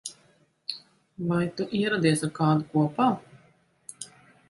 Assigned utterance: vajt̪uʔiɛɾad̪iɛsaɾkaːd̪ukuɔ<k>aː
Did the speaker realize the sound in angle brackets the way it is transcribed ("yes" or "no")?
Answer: no